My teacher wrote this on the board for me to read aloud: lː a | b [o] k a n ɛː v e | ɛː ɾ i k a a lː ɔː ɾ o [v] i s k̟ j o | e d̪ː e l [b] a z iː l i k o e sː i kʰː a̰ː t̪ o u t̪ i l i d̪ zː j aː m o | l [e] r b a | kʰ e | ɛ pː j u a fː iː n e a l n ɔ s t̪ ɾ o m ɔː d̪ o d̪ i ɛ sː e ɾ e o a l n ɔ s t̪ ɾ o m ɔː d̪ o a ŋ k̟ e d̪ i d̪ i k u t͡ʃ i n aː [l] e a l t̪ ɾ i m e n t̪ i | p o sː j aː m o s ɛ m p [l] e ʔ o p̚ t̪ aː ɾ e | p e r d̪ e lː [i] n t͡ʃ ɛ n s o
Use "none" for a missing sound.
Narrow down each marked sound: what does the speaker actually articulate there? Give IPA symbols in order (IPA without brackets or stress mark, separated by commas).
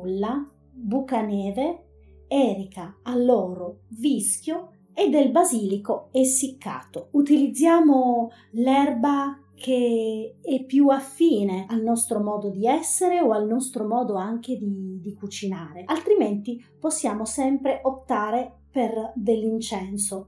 u, v, b, ɛ, ɾ, ɾ, i